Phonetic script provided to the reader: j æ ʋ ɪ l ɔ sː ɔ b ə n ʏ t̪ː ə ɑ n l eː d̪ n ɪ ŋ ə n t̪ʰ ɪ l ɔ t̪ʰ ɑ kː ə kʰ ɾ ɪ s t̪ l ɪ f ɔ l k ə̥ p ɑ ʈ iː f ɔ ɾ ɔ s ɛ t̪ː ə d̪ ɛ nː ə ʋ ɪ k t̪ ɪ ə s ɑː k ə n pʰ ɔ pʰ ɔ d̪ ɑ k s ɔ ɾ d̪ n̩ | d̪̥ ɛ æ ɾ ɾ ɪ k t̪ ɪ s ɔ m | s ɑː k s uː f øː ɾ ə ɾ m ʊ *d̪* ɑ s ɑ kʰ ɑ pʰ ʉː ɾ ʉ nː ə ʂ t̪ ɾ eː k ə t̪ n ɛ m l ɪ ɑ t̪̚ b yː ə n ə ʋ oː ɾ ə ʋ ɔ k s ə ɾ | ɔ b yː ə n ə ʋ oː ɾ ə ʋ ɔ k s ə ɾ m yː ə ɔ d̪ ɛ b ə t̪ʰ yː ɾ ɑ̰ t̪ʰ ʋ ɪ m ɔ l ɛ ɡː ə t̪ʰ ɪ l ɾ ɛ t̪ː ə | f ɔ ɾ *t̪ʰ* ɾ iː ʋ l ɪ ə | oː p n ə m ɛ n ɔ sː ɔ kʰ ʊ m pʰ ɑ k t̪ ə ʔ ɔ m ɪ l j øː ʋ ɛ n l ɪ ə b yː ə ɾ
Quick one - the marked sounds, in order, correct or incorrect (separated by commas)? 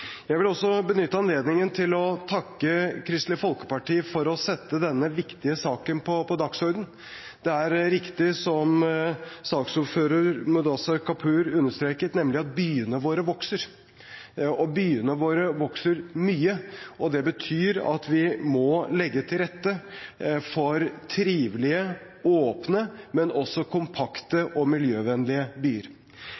correct, correct